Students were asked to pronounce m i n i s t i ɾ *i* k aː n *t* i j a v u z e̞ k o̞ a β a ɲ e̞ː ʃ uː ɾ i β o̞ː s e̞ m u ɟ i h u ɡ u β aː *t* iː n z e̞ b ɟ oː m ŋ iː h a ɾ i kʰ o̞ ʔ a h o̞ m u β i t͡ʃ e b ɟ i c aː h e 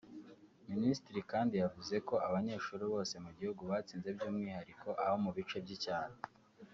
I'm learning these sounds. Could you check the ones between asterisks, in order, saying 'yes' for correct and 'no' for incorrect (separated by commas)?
yes, no, no